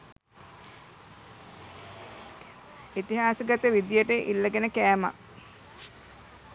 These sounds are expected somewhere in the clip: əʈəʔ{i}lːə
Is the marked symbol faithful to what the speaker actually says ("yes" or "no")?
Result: yes